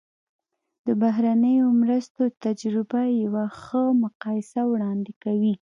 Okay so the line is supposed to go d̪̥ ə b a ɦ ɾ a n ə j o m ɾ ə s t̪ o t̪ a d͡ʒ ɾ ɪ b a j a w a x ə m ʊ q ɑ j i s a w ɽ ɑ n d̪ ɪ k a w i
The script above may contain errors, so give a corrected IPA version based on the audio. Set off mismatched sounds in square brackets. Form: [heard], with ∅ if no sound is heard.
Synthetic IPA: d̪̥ ə b a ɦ ɾ a n ə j o m ɾ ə s t̪ o t̪ a d͡ʒ ɾ ɪ b a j a w a x ə m ʊ q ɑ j [ɪ] s a w ɽ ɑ n d̪ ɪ k a w i